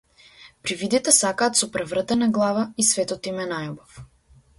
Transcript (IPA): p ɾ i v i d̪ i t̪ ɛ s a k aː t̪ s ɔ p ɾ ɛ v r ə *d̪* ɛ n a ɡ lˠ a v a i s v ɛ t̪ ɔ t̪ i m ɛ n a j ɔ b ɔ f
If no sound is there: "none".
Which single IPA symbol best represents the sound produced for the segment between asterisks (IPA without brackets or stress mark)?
t̪